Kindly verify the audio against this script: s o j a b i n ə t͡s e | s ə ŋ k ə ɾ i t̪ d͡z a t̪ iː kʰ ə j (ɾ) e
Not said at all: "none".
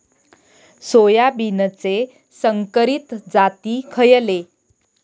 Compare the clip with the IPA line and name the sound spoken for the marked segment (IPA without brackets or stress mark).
l